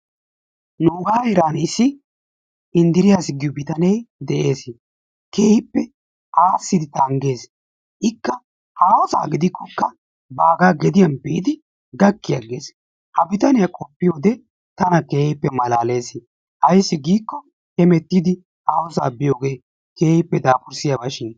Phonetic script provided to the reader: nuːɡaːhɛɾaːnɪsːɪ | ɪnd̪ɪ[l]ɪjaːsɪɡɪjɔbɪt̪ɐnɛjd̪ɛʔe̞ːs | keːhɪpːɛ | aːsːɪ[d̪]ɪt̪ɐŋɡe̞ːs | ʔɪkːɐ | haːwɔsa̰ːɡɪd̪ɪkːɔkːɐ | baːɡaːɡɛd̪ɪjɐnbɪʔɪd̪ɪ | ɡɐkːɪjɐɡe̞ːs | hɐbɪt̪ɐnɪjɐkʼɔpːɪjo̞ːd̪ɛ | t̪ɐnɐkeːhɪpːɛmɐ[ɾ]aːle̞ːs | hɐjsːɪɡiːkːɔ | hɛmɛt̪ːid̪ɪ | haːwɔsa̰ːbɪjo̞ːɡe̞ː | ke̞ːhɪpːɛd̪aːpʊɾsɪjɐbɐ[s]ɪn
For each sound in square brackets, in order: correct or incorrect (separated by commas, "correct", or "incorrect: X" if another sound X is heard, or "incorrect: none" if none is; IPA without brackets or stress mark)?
incorrect: ɾ, correct, incorrect: l, incorrect: ʃ